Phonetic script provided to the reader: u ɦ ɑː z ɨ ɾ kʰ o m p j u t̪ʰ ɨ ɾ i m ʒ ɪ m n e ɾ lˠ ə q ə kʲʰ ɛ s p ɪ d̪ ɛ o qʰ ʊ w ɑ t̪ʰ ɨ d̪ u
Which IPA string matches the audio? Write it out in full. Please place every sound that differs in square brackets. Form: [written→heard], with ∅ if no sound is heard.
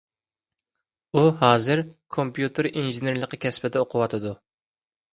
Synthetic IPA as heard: u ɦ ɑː z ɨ ɾ kʰ o m p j u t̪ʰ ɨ ɾ i [m→n] ʒ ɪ [m→∅] n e ɾ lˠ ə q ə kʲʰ ɛ s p ɪ d̪ ɛ o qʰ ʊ w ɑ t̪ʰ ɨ d̪ u